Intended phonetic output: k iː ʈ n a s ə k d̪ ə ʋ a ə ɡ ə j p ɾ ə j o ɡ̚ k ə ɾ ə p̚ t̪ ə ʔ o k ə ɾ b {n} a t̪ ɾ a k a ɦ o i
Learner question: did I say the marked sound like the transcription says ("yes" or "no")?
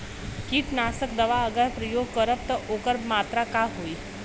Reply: no